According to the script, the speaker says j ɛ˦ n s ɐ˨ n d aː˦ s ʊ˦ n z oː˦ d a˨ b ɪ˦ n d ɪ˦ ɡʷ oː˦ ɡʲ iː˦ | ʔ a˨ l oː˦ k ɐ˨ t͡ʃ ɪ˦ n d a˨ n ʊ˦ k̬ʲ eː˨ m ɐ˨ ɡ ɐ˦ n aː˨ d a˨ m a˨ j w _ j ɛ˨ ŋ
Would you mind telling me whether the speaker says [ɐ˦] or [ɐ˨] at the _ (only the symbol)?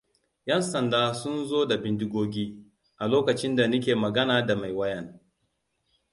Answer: ɐ˦